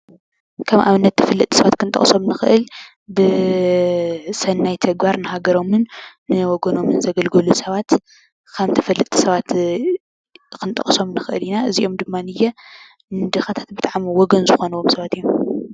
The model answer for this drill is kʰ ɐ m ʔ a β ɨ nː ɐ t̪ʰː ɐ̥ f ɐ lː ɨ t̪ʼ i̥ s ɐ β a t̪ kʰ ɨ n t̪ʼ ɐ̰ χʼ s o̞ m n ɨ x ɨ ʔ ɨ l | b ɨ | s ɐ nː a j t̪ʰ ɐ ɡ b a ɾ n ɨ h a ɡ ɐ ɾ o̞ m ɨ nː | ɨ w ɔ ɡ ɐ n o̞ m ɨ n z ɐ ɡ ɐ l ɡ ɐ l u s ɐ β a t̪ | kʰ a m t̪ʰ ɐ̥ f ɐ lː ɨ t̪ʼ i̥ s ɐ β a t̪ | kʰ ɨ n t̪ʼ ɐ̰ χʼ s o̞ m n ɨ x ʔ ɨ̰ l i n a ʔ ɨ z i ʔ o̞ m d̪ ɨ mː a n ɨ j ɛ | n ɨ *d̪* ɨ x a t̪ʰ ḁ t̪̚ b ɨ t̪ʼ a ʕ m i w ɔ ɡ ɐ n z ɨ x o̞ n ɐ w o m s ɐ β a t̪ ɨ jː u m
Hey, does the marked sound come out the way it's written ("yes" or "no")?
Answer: yes